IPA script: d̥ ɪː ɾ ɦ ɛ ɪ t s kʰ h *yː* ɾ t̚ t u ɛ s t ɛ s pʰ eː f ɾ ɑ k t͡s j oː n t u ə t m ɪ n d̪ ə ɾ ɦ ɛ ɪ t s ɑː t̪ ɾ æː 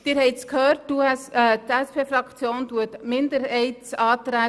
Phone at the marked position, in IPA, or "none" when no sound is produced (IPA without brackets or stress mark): øː